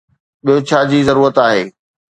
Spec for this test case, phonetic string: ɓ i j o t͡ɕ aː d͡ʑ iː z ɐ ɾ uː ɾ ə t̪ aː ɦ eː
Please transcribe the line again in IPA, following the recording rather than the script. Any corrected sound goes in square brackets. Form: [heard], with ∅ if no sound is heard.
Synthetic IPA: ɓ i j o [t͡ɕʰ] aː d͡ʑ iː z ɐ ɾ uː ɾ ə t̪ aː ɦ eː